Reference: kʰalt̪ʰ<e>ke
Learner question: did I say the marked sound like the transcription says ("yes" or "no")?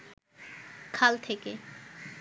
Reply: yes